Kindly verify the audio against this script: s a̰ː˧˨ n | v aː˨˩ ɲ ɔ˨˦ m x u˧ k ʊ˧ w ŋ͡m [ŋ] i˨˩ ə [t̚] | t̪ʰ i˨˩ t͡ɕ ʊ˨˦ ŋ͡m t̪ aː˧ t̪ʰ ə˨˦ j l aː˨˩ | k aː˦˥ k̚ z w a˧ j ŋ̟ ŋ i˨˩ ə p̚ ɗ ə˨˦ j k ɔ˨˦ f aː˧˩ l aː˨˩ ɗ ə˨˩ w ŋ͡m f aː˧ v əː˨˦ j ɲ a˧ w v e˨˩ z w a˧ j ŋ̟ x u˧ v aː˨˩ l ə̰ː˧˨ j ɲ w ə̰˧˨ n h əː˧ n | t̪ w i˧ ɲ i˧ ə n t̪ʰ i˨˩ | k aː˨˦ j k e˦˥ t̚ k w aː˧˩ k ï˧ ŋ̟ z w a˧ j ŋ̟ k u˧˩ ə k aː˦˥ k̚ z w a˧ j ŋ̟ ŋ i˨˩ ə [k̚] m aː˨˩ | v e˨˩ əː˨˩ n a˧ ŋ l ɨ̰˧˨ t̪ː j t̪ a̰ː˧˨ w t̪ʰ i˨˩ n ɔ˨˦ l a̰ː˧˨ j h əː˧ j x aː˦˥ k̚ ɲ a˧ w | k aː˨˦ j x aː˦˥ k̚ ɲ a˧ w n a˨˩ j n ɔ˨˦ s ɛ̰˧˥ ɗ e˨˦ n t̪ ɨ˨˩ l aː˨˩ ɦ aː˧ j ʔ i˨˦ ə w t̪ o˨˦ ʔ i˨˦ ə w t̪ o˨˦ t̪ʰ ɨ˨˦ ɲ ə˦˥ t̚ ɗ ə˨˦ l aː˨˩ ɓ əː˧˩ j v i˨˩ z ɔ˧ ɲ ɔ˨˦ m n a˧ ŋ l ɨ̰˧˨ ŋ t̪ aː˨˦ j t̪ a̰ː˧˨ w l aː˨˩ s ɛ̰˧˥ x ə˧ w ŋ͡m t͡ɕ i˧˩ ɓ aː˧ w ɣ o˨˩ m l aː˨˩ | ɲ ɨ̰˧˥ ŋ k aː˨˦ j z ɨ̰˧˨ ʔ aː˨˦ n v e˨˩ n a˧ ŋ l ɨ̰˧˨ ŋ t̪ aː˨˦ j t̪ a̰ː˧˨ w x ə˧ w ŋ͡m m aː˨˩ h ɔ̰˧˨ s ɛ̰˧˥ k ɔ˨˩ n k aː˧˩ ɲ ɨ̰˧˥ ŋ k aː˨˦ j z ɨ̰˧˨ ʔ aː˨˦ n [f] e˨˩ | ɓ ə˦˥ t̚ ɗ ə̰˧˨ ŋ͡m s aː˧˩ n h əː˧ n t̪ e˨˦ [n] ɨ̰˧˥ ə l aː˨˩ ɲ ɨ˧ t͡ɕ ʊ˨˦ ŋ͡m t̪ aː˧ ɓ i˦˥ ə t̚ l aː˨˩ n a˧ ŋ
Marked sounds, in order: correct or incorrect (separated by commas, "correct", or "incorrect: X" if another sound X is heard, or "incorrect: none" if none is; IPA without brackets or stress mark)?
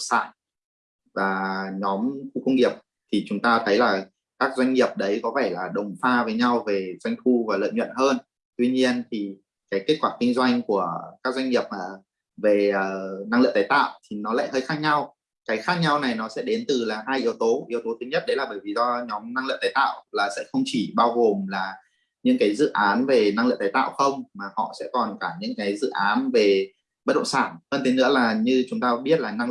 correct, incorrect: p̚, incorrect: p̚, incorrect: v, correct